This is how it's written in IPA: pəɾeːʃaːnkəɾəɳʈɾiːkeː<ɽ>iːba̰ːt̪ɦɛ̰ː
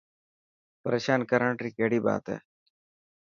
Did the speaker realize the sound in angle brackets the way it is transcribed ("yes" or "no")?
yes